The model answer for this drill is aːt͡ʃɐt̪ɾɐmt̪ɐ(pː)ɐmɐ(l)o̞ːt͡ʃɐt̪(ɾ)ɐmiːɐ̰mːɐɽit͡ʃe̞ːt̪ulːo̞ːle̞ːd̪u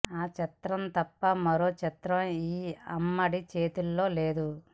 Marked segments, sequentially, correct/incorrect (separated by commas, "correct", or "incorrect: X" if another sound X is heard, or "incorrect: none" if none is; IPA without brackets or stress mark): correct, incorrect: ɾ, correct